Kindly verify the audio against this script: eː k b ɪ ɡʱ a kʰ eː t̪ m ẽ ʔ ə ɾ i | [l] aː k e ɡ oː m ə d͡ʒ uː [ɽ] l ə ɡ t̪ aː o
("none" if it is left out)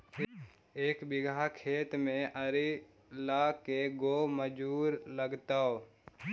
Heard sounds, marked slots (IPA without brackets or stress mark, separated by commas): l, ɾ